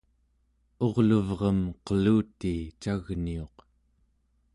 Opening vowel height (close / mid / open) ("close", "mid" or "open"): mid